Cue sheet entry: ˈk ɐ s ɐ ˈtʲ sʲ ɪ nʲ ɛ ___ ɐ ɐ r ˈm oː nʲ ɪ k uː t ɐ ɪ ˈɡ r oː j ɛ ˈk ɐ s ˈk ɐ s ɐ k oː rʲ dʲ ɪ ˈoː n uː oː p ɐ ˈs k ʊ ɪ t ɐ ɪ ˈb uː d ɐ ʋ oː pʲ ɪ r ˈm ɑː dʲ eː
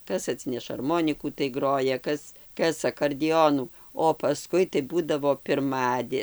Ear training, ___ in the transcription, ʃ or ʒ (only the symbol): ʃ